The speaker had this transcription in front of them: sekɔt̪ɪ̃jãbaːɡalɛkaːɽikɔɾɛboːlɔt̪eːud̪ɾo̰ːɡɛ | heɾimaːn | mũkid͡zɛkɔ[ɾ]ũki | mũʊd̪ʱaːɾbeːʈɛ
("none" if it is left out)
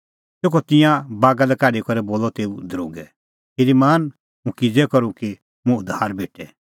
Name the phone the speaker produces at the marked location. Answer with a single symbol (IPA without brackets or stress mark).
ɾ